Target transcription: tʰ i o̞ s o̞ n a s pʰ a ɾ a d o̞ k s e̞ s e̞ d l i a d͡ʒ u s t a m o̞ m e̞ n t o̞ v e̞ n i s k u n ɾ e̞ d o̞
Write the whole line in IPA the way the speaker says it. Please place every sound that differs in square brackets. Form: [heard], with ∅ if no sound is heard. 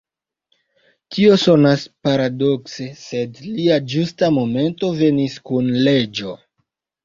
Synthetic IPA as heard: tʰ i o̞ s o̞ n a s [p] a ɾ a d o̞ k s e̞ s e̞ d l i a d͡ʒ u s t a m o̞ m e̞ n t o̞ v e̞ n i s k u n [l] e̞ [d͡ʒ] o̞